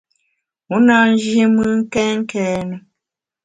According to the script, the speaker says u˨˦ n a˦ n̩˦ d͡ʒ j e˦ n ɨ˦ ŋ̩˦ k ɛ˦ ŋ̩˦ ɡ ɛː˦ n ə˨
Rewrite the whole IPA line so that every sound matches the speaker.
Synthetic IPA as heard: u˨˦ n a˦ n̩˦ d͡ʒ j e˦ m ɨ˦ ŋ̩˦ k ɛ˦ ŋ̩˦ k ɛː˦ n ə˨